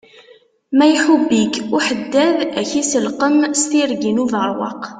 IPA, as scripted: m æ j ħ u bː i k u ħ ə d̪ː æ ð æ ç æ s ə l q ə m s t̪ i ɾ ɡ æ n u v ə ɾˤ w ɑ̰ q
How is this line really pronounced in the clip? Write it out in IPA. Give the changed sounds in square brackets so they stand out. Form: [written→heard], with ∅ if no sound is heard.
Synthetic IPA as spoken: m æ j ħ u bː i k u ħ ə d̪ː æ ð æ ç [æ→i] s ə l q ə m s t̪ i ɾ ɡ [æ→i] n u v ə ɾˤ w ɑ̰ q